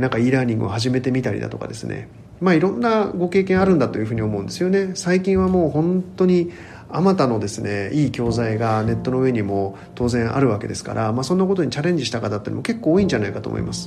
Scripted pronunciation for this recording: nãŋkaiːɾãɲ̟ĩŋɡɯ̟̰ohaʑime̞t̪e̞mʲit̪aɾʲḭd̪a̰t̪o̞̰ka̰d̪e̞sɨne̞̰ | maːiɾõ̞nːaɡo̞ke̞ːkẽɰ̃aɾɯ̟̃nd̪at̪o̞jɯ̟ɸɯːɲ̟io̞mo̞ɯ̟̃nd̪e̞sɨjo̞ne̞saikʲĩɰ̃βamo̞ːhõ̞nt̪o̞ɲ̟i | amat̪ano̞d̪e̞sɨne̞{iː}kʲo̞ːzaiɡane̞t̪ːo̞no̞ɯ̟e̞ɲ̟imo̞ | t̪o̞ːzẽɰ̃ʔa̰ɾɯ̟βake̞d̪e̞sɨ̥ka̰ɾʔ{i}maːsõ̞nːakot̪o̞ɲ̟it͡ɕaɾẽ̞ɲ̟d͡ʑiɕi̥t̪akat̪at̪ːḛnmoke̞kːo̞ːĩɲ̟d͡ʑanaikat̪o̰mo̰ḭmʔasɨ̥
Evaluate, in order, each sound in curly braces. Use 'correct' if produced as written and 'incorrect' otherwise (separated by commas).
correct, incorrect